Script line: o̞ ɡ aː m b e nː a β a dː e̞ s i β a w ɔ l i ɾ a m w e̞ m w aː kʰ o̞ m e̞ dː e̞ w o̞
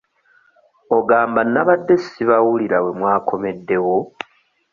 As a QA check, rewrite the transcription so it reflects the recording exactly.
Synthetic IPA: o̞ ɡ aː m b a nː a β a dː e̞ s i β a w u l i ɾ a w e̞ m w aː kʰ o̞ m e̞ dː e̞ w o̞